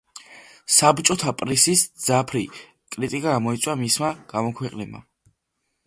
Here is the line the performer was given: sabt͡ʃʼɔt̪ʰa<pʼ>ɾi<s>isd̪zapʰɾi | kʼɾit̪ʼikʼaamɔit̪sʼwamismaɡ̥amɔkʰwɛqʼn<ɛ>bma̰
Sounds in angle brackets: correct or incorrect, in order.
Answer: correct, correct, correct

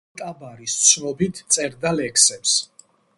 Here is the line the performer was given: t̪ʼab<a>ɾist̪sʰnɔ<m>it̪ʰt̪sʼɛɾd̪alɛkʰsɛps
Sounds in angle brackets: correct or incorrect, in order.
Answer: correct, incorrect: b

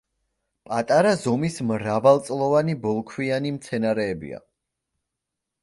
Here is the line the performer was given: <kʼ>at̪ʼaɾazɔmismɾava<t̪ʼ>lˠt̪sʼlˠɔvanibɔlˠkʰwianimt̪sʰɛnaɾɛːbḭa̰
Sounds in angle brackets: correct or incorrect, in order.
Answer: incorrect: pʼ, incorrect: none

